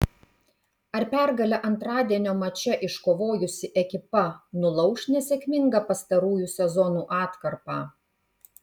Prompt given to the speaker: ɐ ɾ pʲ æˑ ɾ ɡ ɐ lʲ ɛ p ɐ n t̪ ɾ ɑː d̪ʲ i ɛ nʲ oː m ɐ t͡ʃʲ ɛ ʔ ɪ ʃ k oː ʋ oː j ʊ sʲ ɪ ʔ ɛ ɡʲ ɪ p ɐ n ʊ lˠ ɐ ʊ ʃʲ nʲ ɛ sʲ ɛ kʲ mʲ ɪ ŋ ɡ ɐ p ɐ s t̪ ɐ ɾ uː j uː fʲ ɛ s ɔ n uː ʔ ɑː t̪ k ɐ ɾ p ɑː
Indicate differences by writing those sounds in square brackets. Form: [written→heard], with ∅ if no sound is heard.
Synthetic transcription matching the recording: ɐ ɾ pʲ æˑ ɾ ɡ ɐ lʲ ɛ [p→ʔ] ɐ n t̪ ɾ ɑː d̪ʲ i ɛ nʲ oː m ɐ t͡ʃʲ ɛ ʔ ɪ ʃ k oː ʋ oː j ʊ sʲ ɪ ʔ ɛ [ɡʲ→kʲ] ɪ p ɐ n ʊ lˠ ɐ ʊ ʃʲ nʲ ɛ sʲ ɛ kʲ mʲ ɪ ŋ ɡ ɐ p ɐ s t̪ ɐ ɾ uː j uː [fʲ→sʲ] ɛ [s→z] ɔ n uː ʔ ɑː t̪ k ɐ ɾ p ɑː